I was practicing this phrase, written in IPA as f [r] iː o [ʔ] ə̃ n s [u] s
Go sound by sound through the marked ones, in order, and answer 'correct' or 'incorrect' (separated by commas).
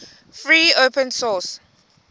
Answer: incorrect, incorrect, incorrect